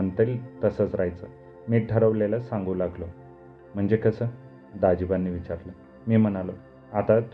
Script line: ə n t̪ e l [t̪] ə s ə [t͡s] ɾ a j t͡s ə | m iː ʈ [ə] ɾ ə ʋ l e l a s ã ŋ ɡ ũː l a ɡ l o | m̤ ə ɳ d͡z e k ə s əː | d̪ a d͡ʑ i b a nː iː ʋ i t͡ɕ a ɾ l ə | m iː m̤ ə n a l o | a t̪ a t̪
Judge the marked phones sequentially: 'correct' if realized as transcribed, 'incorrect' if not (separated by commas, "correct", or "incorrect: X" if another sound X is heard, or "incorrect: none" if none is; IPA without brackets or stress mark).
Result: correct, correct, correct